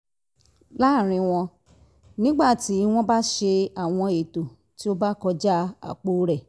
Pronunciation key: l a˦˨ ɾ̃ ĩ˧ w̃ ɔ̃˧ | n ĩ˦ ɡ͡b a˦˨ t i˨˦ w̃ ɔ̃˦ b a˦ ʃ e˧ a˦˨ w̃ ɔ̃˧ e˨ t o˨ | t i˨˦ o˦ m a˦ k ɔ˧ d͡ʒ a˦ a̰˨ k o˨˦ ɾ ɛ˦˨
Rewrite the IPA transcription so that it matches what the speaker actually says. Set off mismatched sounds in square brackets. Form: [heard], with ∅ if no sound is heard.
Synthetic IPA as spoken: l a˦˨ ɾ̃ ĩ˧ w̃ ɔ̃˧ | n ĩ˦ ɡ͡b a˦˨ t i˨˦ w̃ ɔ̃˦ b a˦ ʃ e˧ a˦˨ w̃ ɔ̃˧ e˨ t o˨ | t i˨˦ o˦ [b] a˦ k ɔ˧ d͡ʒ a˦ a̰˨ [k͡p] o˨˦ ɾ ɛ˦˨